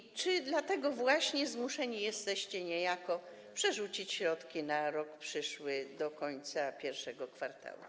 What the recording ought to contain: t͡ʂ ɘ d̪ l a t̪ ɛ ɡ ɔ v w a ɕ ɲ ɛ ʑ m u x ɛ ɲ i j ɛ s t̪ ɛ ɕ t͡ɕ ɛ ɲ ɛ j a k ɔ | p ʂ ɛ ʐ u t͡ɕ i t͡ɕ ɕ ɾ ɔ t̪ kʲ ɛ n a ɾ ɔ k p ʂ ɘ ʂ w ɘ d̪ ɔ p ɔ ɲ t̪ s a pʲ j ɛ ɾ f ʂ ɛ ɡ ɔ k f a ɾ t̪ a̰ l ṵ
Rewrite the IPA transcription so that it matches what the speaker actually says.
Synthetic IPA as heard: t͡ʂ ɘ d̪ l a t̪ ɛ ɡ ɔ v w a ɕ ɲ ɛ z m u ʂ ɛ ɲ i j ɛ s t̪ ɛ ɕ t͡ɕ ɛ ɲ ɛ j a k ɔ | p ʂ ɛ ʐ u t͡ɕ i t͡ɕ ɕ ɾ ɔ t̪ kʲ i n a ɾ ɔ k p ʂ ɘ ʂ w ɘ d̪ ɔ k ɔ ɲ t̪ s a pʲ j ɛ ɾ f ʂ ɛ ɡ ɔ k f a ɾ t̪ a̰ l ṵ